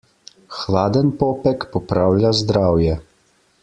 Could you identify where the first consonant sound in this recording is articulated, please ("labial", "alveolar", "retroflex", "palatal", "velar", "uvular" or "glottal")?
velar